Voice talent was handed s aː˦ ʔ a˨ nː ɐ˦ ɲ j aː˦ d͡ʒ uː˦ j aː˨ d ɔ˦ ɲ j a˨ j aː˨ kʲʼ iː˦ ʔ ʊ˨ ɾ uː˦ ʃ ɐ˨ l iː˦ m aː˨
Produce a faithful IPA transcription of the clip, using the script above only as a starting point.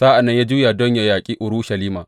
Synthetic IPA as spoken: s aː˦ ʔ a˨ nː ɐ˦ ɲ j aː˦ d͡ʒ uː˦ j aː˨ d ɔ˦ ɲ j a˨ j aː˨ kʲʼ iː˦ ʔ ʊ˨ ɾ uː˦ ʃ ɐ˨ l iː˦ m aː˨